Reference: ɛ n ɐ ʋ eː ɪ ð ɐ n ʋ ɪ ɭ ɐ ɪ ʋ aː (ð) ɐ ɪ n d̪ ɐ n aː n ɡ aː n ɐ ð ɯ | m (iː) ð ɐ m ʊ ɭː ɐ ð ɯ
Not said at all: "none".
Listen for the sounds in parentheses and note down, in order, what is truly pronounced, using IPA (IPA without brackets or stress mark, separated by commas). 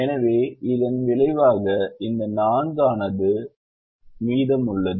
ɣ, iː